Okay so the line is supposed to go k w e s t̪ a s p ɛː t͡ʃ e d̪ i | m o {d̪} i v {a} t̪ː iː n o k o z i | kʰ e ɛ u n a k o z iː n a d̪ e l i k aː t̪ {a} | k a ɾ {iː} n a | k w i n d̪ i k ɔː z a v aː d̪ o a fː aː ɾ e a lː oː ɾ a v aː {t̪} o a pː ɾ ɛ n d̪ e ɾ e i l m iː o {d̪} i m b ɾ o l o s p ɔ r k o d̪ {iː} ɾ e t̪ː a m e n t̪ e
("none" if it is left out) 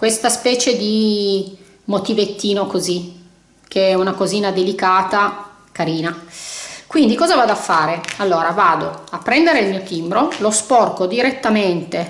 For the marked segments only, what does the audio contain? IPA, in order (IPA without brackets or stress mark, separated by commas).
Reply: t̪, e, a, iː, d̪, t̪, i